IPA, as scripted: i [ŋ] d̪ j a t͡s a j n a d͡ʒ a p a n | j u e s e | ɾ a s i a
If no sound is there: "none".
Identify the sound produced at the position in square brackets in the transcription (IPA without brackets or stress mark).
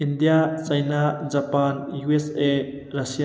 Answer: n